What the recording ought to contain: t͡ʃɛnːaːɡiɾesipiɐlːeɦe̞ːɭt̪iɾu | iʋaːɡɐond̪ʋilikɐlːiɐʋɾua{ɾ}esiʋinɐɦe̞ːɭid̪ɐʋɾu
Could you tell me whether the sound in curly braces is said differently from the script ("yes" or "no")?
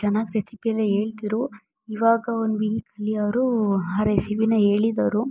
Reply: no